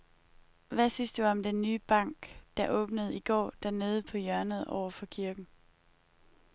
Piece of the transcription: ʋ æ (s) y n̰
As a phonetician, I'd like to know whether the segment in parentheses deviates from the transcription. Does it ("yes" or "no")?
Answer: no